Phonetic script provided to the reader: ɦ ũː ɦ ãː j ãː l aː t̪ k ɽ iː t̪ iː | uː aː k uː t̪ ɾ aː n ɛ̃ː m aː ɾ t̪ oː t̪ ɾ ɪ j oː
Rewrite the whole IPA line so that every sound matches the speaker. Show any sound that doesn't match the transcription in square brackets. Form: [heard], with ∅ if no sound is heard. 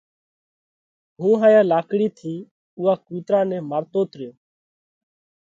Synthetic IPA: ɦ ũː ɦ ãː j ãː l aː [∅] k ɽ iː [t̪ʰ] iː | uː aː k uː t̪ ɾ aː n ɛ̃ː m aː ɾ t̪ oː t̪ ɾ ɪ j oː